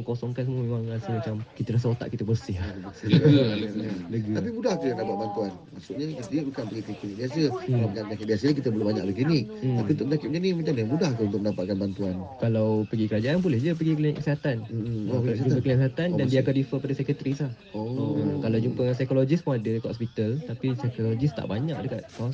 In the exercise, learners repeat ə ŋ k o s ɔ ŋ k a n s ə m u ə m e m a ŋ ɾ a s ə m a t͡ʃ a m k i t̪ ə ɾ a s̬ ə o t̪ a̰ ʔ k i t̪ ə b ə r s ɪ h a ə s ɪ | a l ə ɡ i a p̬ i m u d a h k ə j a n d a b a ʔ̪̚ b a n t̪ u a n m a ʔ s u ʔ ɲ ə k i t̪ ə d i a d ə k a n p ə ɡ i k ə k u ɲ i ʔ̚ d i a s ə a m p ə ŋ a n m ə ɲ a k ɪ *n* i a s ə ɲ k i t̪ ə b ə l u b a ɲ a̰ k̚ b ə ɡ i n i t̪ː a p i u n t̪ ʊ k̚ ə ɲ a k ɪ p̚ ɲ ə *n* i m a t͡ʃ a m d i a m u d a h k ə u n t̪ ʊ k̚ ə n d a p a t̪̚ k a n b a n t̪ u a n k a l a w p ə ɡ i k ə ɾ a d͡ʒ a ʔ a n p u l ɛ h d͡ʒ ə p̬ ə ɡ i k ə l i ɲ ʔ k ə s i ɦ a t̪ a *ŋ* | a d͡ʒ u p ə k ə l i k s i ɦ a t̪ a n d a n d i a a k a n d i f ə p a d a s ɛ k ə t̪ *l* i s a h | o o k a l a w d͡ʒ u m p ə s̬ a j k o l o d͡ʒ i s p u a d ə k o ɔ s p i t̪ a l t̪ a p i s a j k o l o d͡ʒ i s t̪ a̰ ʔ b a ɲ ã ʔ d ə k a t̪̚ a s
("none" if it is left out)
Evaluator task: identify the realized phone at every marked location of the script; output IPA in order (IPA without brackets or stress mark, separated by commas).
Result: d, n, n, ɾ